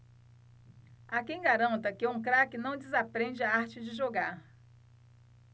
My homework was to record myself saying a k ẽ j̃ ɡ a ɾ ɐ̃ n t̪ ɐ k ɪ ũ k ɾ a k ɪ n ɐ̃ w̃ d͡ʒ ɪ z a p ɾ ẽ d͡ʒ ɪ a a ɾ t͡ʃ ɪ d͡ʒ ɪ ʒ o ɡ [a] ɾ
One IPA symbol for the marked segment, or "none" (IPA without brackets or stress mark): a